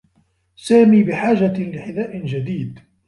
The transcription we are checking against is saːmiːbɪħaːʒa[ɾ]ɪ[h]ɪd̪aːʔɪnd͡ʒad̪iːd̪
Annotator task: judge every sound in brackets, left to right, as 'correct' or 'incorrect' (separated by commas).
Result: incorrect, incorrect